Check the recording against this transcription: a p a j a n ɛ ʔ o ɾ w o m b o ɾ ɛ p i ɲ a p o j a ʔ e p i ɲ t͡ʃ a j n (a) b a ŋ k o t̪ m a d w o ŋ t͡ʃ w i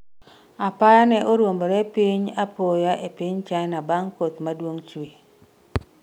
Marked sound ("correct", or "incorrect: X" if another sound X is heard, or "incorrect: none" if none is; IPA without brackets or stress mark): correct